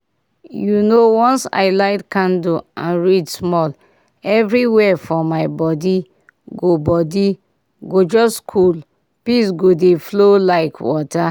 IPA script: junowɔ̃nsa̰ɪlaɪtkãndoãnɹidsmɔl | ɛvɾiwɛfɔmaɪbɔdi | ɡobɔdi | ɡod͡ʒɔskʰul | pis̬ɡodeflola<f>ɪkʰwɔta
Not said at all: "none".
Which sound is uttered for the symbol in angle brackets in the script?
none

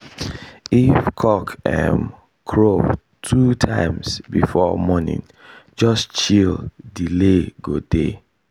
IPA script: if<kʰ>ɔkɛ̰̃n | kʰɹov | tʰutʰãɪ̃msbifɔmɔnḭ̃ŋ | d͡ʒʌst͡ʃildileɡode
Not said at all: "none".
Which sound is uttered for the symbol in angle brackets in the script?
kʰ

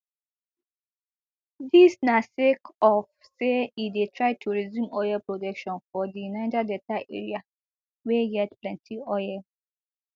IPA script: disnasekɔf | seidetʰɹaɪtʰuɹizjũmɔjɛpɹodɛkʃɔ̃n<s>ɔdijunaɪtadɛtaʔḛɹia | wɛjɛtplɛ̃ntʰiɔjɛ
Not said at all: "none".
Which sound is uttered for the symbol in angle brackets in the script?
f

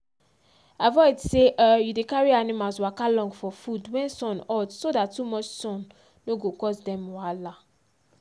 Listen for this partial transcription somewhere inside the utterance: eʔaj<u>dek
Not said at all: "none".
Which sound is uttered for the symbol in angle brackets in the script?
u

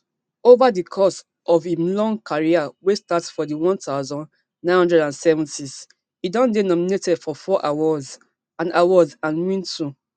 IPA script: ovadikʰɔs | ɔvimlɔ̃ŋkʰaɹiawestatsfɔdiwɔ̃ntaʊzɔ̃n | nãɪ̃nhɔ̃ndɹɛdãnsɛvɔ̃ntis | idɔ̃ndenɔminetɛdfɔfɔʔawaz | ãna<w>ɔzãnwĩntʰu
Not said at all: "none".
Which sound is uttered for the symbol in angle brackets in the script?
w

